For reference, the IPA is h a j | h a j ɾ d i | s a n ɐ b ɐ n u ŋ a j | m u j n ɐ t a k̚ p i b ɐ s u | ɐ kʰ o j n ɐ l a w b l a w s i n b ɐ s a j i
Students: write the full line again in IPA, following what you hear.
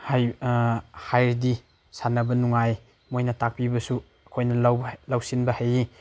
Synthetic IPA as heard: h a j | h a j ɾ d i | s a n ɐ b ɐ n u ŋ a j | m o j n ɐ t a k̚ p i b ɐ s u | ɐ kʰ o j n ɐ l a w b l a w s i n b ɐ h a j i